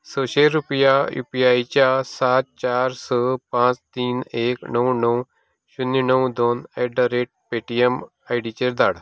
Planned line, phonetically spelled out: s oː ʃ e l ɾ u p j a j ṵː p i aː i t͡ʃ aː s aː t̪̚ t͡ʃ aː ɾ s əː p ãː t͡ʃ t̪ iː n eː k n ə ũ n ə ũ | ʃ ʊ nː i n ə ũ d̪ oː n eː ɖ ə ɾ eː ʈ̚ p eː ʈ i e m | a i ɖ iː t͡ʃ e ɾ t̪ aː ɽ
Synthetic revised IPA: s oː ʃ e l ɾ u p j a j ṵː p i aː i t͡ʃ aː s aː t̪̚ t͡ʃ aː ɾ s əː p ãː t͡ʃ t̪ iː n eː k n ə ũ n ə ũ | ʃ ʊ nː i n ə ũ d̪ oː n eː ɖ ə ɾ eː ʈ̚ p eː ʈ i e m | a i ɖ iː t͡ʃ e ɾ d̪ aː ɽ

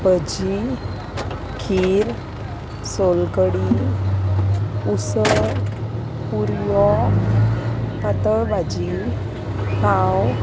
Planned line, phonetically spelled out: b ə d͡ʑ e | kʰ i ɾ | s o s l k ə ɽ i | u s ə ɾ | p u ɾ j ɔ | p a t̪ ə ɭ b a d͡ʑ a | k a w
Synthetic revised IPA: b ə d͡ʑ i | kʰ i ɾ | s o l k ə ɽ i | u s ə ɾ | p u ɾ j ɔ | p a t̪ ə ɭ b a d͡ʑ i | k a w

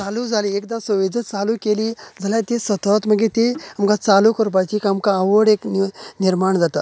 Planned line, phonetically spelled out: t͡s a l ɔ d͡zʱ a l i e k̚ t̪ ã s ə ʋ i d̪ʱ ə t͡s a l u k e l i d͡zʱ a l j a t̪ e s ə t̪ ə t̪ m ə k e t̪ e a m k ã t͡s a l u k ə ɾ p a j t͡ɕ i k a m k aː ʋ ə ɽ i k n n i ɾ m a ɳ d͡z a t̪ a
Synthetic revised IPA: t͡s a l u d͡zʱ a l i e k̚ d̪ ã s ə ʋ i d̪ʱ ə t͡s a l u k e l i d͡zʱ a l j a t̪ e s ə t̪ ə t̪ m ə ɡ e t̪ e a m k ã t͡s a l u k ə ɾ p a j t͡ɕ i k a m k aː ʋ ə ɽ e k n n i ɾ m a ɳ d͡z a t̪ a

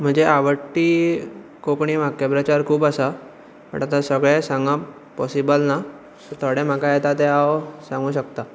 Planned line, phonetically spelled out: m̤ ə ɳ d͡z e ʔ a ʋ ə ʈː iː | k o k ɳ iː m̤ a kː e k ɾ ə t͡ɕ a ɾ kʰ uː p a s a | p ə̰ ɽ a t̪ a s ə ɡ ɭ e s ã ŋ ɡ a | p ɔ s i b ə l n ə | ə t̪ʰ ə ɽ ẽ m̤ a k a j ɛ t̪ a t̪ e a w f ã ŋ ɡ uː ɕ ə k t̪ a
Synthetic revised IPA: m̤ ə ɳ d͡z e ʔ a ʋ ə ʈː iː | k o k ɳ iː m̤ a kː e p ɾ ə t͡ɕ a ɾ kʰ uː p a s a | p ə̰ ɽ a t̪ a s ə ɡ ɭ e s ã ŋ ɡ a | p ɔ s i b ə l n a | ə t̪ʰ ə ɽ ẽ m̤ a k a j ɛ t̪ a t̪ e a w s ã ŋ ɡ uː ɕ ə k t̪ a

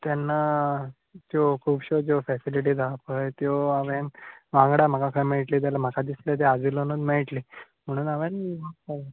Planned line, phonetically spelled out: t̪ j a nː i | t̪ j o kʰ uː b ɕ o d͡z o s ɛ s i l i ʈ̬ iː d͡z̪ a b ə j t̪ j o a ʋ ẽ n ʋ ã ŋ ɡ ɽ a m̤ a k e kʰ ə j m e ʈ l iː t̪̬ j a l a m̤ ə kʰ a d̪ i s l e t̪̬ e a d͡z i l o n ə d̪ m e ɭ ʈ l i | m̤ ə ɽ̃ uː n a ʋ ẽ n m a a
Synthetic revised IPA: t̪ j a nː a | t̪ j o kʰ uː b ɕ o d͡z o f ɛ s i l i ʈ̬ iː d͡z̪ a p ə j t̪ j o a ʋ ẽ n ʋ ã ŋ ɡ ɽ a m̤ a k a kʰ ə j m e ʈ l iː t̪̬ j a l a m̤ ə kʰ a d̪ i s l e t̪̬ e a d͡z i l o n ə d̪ m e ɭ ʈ l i | m̤ ə ɽ̃ uː n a ʋ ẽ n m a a

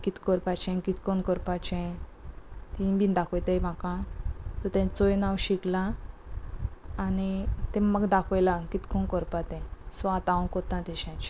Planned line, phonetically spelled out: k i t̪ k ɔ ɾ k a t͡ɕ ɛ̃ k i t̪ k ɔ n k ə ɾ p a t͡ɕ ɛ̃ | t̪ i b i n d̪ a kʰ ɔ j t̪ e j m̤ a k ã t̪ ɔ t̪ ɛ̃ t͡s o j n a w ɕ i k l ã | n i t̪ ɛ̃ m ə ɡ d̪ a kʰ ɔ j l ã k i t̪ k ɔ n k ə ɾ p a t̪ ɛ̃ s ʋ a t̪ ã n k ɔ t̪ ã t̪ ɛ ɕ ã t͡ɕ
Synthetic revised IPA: k i t̪ k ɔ ɾ p a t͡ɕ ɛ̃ k i t̪ k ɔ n k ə ɾ p a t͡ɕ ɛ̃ | t̪ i b i n d̪ a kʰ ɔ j t̪ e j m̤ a k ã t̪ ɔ t̪ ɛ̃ t͡s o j n a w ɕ i k l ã | n i t̪ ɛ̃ m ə ɡ d̪ a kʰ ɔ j l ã k i t̪ k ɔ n k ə ɾ p a t̪ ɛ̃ s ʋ a t̪ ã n k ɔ t̪ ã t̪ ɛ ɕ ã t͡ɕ

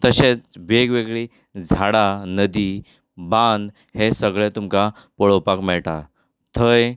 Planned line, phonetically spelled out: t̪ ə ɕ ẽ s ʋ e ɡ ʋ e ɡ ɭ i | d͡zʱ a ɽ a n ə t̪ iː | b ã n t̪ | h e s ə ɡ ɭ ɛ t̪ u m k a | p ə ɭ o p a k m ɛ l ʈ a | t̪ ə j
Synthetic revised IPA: t̪ ə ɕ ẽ t͡s ʋ e ɡ ʋ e ɡ ɭ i | d͡zʱ a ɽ a n ə d̪ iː | b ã n d̪ | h e s ə ɡ ɭ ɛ t̪ u m k a | p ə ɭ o p a k m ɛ ɭ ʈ a | t̪ʰ ə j

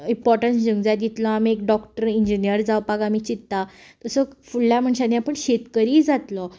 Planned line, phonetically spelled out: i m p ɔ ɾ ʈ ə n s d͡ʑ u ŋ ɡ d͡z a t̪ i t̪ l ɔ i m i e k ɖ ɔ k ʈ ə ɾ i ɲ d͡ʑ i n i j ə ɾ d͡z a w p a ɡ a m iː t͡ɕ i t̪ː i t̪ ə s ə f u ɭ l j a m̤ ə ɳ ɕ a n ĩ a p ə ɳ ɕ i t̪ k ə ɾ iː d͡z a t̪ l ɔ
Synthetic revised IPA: i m p ɔ ɾ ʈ ə n s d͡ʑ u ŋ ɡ d͡z a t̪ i t̪ l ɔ a m i e k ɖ ɔ k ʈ ə ɾ i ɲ d͡ʑ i n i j ə ɾ d͡z a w p a ɡ a m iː t͡ɕ i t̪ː a t̪ ə s ə f u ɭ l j a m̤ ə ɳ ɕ a n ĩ a p ə ɳ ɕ e t̪ k ə ɾ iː d͡z a t̪ l ɔ

